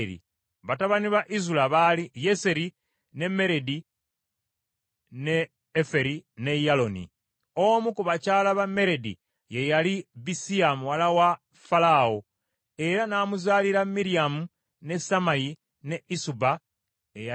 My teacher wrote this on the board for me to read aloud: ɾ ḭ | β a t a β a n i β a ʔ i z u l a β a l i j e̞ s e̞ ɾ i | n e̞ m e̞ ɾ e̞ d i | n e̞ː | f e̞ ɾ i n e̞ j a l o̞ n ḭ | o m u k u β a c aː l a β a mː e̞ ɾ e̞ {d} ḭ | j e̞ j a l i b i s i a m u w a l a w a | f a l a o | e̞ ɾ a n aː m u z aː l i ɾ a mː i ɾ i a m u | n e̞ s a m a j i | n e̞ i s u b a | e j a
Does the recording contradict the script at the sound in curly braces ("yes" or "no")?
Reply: no